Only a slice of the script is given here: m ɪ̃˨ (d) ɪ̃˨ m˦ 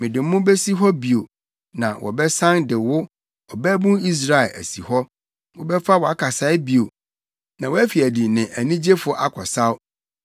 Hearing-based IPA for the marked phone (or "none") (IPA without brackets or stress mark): d